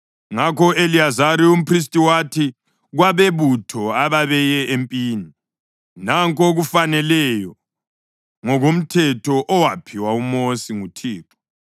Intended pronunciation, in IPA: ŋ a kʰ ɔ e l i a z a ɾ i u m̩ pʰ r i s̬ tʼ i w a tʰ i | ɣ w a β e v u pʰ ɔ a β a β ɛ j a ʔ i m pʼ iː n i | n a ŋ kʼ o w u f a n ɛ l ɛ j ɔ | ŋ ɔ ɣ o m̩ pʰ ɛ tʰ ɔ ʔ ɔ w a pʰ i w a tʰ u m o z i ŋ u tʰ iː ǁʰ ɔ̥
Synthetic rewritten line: ŋ a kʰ ɔ e l i a z a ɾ i u m̩ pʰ r i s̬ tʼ i w a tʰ i | ɣ w a β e β u tʰ ɔ a β a β ɛ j ɛ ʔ e m pʼ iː n i | n a ŋ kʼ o ɣ u f a n ɛ l ɛ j ɔ | ŋ ɔ ɣ o m̩ tʰ ɛ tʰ ɔ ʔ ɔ w a pʰ i w a u m o s i ŋ u tʰ iː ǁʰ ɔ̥